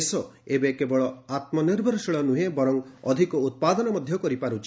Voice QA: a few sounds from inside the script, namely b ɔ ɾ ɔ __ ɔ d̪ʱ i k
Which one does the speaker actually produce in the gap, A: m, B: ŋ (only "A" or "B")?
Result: B